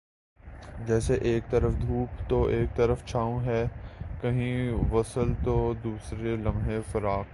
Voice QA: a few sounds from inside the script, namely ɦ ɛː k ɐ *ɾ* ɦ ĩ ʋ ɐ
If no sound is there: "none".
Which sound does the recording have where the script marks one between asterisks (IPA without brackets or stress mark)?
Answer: none